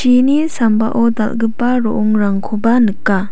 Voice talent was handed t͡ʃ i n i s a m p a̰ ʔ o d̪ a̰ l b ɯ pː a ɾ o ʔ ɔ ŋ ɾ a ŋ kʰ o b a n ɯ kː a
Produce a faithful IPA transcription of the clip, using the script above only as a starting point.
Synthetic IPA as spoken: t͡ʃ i n i s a m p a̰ ʔ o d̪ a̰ l ɡ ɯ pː a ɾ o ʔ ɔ ŋ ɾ a ŋ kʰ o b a n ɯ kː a